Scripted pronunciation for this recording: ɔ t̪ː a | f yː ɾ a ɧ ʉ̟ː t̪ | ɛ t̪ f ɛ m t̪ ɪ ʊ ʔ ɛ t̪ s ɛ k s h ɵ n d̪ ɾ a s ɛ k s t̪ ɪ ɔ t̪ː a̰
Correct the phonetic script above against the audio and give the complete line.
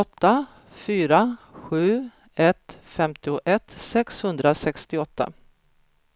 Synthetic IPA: ɔ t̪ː a | f yː ɾ a ɧ ʉ̟ː | ɛ t̪ f ɛ m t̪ ɪ ʊ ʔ ɛ t̪ s ɛ k s h ɵ n d̪ ɾ a s ɛ k s t̪ ɪ ɔ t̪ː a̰